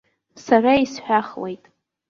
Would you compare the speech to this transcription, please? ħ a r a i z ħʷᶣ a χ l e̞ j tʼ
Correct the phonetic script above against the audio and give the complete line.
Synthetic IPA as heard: s a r a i s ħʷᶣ a χ l e̞ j tʼ